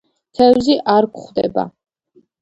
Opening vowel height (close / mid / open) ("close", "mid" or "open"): mid